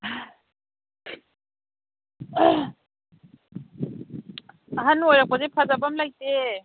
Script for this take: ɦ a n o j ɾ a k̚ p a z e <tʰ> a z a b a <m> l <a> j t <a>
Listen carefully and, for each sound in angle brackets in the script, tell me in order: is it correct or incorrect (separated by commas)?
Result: incorrect, correct, correct, incorrect